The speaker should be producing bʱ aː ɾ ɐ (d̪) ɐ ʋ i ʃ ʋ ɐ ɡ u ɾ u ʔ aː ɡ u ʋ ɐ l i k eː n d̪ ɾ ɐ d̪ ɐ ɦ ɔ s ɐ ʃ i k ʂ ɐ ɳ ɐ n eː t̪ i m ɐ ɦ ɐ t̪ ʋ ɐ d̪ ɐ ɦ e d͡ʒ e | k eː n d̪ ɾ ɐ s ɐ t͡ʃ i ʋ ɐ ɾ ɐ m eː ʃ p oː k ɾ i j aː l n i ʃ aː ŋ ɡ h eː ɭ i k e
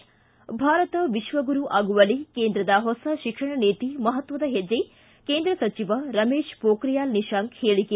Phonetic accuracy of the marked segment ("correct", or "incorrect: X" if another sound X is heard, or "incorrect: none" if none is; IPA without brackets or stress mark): incorrect: t̪